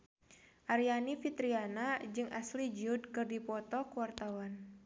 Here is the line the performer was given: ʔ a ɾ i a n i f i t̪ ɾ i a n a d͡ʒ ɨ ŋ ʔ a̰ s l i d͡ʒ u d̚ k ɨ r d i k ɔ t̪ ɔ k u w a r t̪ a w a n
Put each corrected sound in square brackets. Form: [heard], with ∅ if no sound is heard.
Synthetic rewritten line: ʔ a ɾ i a n i f i t̪ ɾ i a n a d͡ʒ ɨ ŋ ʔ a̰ s l i d͡ʒ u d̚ k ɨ r d i [p] ɔ t̪ ɔ k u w a r t̪ a w a n